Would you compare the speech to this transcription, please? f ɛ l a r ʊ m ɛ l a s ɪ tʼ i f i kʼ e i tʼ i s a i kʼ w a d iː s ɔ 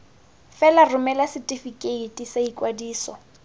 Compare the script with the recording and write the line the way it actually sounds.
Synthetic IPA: f ɛ l a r ʊ m ɛ l a s ɪ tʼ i f i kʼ e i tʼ i s a i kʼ w a d iː s ɔ